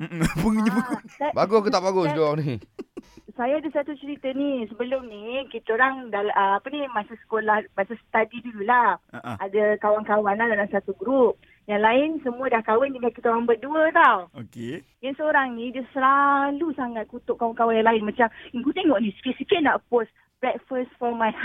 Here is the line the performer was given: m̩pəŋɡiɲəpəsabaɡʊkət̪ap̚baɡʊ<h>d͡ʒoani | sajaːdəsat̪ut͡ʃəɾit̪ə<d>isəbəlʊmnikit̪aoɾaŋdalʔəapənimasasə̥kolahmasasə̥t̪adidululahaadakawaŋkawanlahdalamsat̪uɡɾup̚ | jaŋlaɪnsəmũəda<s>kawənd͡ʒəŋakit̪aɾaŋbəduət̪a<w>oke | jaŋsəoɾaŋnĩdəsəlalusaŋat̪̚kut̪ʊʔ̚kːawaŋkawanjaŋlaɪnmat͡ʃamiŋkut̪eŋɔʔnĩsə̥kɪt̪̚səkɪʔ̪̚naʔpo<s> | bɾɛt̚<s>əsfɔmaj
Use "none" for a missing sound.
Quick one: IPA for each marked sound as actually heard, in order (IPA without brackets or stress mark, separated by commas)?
s, n, h, w, s, f